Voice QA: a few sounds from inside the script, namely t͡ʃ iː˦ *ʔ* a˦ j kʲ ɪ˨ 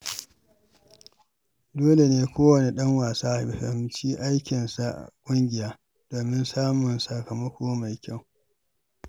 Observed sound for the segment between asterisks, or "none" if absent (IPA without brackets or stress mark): ʔ